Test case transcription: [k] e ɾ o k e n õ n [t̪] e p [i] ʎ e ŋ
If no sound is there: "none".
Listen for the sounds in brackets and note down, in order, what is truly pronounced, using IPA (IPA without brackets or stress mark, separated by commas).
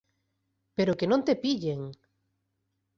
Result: p, t̪, i